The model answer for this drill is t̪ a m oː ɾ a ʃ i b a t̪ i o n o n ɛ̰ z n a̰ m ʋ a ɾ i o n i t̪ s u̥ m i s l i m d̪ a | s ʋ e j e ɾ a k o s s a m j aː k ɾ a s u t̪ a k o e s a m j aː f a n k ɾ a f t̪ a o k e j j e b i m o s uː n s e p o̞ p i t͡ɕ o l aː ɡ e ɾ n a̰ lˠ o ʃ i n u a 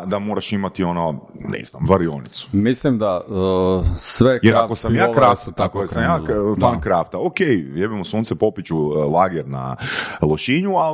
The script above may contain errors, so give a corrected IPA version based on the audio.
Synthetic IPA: d̪ a m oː ɾ a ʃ i m a t̪ i o n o n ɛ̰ z n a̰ m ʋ a ɾ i o n i t̪ s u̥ m i s l i m d̪ a | s ʋ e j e ɾ a k o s s a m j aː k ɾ a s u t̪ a k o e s a m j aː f a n k ɾ a f t̪ a o k e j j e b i m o s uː n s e p o̞ p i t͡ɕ u l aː ɡ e ɾ n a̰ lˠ o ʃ i ɲ u a